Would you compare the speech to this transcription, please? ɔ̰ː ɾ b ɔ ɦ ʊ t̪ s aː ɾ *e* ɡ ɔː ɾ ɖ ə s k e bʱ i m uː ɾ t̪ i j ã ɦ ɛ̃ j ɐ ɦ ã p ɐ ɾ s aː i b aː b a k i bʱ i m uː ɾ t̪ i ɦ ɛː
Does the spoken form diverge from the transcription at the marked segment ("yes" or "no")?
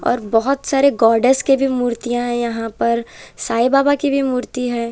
no